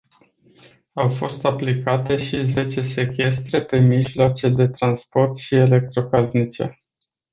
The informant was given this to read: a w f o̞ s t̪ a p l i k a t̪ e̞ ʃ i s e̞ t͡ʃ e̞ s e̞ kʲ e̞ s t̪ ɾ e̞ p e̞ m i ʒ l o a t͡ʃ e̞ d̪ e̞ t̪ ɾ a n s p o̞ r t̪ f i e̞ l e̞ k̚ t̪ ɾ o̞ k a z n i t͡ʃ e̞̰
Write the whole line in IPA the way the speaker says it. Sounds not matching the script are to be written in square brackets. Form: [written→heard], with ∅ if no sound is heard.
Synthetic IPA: a w f o̞ s t̪ a p l i k a t̪ e̞ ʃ i [s→z] e̞ t͡ʃ e̞ s e̞ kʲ e̞ s t̪ ɾ e̞ p e̞ m i ʒ l o a t͡ʃ e̞ d̪ e̞ t̪ ɾ a n s p o̞ r t̪ [f→ʃ] i e̞ l e̞ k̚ t̪ ɾ o̞ k a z n i t͡ʃ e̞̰